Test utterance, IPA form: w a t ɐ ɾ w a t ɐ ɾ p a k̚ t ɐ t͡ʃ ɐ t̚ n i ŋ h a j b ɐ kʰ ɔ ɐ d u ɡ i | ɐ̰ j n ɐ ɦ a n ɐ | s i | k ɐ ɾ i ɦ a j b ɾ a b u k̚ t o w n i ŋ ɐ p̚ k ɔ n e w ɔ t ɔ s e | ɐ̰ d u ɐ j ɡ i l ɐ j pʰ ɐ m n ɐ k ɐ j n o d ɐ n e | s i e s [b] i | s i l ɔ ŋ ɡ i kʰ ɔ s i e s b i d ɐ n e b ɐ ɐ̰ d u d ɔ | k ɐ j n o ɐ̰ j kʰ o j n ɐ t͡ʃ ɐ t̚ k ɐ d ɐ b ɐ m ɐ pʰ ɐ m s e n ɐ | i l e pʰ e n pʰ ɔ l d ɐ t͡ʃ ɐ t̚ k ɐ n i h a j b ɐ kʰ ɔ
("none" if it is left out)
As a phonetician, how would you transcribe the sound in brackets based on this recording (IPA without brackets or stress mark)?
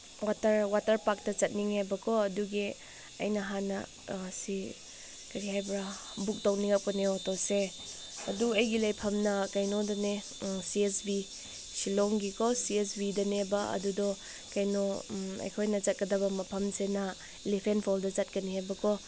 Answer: b